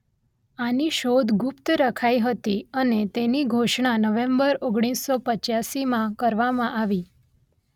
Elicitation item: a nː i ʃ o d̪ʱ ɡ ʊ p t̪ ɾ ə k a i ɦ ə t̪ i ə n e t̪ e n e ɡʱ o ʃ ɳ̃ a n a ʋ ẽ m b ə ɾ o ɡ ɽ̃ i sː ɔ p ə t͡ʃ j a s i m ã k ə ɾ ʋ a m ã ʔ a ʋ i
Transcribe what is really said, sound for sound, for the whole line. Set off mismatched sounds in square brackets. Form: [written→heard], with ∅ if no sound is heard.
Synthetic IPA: a [nː→n] i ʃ o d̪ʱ ɡ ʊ p t̪ ɾ ə [k→kʰ] a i ɦ ə t̪ i ə n e t̪ e n [e→i] ɡʱ o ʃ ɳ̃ a n [a→ə] ʋ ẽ m b ə ɾ o ɡ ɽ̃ i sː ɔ p ə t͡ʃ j a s i m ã k ə ɾ ʋ a m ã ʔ a ʋ i